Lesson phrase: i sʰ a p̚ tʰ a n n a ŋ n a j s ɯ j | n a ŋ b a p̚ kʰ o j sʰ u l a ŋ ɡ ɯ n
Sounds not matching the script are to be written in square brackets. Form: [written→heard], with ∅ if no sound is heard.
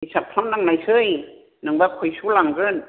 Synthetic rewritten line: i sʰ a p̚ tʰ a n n a ŋ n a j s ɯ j | n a ŋ b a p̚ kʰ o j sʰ u l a ŋ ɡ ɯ n